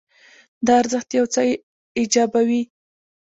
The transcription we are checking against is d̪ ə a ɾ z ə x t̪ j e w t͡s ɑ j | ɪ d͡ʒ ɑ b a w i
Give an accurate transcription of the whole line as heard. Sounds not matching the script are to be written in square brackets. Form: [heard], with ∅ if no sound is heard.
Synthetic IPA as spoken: d̪ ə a ɾ z ə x t̪ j [a] w t͡s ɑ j | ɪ d͡ʒ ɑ b a w i

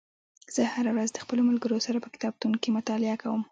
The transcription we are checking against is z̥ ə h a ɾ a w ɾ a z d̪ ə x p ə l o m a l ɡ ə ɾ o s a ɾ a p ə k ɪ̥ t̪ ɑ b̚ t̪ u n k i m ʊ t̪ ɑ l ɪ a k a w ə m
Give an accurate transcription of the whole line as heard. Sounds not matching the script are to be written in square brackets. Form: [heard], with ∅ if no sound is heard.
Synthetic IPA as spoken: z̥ ə h a ɾ a w ɾ a z d̪ ə x p ə l o m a l ɡ ə ɾ o s a ɾ a p ə k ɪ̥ t̪ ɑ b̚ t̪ u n k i m ʊ t̪ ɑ l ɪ a k a w ə m

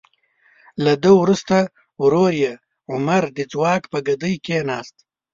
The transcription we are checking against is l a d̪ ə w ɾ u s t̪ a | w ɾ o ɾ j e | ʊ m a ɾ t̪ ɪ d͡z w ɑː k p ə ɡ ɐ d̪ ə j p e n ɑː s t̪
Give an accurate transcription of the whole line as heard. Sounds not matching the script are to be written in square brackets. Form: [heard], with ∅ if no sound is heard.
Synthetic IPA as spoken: l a d̪ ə w ɾ u s t̪ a | w ɾ o ɾ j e | ʊ m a ɾ [d̪] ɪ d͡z w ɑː k p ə ɡ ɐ d̪ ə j [k] e n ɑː s t̪

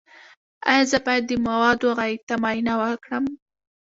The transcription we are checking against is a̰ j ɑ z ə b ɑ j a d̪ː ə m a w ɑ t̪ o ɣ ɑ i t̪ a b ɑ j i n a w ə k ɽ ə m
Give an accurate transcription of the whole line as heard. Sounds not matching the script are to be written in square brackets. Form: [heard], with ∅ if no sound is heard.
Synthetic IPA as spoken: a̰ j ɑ z ə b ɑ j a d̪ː ə m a w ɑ [d̪] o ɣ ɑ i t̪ a [m] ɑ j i n a w ə k ɽ ə m

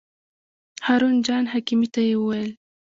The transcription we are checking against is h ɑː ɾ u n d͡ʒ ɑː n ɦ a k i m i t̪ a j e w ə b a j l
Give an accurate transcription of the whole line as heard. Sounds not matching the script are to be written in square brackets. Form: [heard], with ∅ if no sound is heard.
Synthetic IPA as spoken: h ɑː ɾ u n d͡ʒ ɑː n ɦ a k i m i t̪ a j e w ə [w] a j l

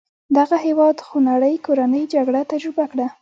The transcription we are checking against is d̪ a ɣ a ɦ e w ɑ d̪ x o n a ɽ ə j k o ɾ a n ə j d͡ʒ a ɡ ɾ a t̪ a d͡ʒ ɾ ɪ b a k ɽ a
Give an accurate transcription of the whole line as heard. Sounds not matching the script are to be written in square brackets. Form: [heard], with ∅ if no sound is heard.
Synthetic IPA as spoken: d̪ a ɣ a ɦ e w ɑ d̪ x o n a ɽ ə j k o ɾ a n ə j d͡ʒ a ɡ [ɽ] a t̪ a d͡ʒ ɾ ɪ b a k ɽ a

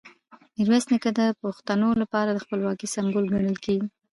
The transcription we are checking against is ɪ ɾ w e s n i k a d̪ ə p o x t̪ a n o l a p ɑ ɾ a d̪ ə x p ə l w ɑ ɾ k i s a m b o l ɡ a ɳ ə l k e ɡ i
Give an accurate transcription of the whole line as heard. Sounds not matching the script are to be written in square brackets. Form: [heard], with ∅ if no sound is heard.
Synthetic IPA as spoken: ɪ ɾ w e s n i k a d̪ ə p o x t̪ a n o l a p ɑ ɾ a d̪ ə x p ə l w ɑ [∅] k i s a m b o l ɡ a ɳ ə l k e ɡ i

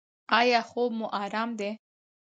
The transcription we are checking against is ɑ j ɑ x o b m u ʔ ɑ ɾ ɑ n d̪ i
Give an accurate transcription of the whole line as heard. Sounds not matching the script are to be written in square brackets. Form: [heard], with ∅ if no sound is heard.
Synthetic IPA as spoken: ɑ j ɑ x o b m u ʔ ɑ ɾ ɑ [m] d̪ [e]

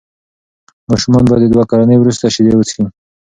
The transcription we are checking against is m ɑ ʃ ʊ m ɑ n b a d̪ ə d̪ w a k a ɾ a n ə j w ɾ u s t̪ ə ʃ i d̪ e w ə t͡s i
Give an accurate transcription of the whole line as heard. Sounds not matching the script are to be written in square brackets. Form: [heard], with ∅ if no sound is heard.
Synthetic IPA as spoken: m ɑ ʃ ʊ m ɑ n b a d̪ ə d̪ w a k a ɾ a n ə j w ɾ u s t̪ [a] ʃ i d̪ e w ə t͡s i

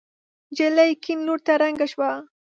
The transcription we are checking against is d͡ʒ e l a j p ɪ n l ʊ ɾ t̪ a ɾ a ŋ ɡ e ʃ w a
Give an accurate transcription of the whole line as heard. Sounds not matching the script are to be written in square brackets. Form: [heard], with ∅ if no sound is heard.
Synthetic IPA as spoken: d͡ʒ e l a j [k] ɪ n l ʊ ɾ t̪ a ɾ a ŋ ɡ [a] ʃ w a

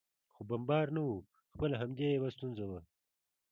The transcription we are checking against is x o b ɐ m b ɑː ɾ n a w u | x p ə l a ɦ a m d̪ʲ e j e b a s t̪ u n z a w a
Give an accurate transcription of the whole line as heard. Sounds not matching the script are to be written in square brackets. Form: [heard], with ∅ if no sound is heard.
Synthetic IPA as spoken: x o b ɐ m b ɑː ɾ n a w u | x p ə l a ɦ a m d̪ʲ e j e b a s t̪ u n z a w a

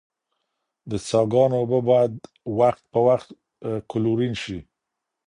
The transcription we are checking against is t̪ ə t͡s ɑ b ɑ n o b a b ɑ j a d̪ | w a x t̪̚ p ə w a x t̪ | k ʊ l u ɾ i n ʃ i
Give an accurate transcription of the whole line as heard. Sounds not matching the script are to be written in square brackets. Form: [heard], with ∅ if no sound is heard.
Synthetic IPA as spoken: [d̪] ə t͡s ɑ [ɡ] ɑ n o b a b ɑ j a d̪ | w a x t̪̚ p ə w a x t̪ | k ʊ l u ɾ i n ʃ i

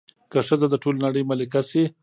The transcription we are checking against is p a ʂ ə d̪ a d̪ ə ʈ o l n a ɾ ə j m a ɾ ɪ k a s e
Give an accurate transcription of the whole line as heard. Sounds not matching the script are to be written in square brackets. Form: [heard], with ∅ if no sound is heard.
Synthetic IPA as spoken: [k] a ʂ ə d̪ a d̪ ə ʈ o l n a [ɽ] ə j m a [l] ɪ k a s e

